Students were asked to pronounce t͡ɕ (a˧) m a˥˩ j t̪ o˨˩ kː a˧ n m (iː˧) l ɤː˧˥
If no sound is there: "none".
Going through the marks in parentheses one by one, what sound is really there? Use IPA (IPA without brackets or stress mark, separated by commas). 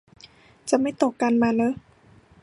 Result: a˨˩, aː˧